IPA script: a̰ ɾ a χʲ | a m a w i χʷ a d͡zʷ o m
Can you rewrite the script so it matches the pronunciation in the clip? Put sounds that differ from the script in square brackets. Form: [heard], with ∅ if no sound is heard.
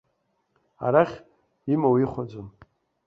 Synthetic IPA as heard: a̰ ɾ a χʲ | [i] m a w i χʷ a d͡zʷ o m